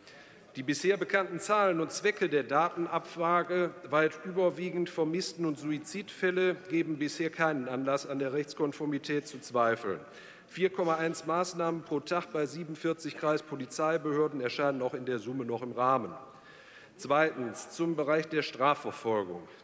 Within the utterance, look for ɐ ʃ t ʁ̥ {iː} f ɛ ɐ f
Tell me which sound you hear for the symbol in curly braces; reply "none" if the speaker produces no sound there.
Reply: aː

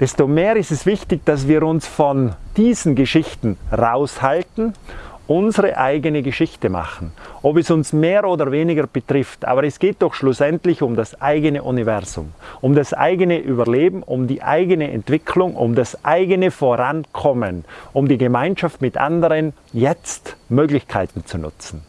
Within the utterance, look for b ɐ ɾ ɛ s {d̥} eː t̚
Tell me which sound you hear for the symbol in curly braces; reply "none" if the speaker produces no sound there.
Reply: ɡ̥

